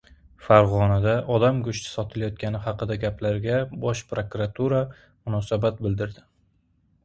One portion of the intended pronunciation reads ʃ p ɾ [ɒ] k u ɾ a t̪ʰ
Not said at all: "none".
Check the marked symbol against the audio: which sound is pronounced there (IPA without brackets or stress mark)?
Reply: o